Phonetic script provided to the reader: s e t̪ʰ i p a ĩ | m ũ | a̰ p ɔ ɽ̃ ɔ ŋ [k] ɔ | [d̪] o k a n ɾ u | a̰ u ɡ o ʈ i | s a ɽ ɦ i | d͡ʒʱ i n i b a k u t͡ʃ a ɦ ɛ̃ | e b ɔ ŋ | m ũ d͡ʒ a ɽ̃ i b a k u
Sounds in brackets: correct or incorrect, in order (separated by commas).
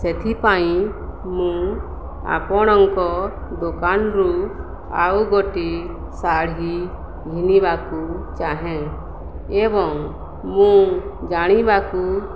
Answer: correct, correct